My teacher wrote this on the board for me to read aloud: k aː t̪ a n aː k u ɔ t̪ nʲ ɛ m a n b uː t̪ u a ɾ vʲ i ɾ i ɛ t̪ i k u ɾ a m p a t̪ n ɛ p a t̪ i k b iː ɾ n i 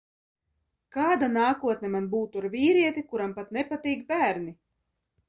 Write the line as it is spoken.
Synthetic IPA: k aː d̪ a n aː k u ɔ t̪ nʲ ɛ m a n b uː t̪ u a ɾ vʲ iː ɾ i ɛ t̪ i k u ɾ a m p a t̪ n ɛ p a t̪ iː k b æː ɾ n i